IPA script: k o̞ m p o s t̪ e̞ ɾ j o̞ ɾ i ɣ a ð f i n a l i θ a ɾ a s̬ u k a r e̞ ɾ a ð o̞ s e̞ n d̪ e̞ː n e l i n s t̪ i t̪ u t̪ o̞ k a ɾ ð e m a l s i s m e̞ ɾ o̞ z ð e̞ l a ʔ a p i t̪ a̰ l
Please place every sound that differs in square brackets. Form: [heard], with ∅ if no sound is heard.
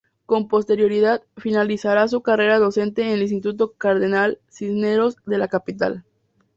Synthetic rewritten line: k o̞ m p o s t̪ e̞ ɾ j o̞ ɾ i [ð] a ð f i n a l i [s] a ɾ a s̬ u k a r e̞ ɾ a ð o̞ s e̞ n [t̪] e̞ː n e l i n s t̪ i t̪ u t̪ o̞ k a ɾ ð e [n] a l s i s [n] e̞ ɾ o̞ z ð e̞ l a [k] a p i t̪ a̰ l